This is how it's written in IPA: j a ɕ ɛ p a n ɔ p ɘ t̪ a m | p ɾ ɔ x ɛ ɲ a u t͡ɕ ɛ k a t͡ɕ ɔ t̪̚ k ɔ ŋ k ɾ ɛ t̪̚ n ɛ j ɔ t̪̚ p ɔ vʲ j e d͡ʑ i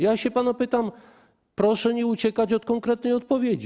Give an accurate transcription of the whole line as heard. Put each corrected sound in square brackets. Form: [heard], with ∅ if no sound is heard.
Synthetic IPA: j a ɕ ɛ p a n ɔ p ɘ t̪ a m | p ɾ ɔ [ʂ] ɛ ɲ [i] u t͡ɕ ɛ k a t͡ɕ ɔ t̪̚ k ɔ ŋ k ɾ ɛ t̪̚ n ɛ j ɔ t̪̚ p ɔ vʲ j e d͡ʑ i